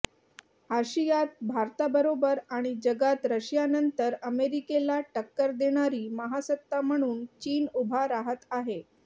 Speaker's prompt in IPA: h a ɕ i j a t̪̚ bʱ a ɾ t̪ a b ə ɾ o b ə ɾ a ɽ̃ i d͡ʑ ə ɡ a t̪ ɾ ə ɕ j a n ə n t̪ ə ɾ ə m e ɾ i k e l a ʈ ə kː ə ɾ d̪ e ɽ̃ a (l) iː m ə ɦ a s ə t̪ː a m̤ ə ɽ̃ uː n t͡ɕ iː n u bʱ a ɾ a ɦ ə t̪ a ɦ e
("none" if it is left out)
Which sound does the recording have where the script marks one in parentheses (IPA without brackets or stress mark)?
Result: ɾ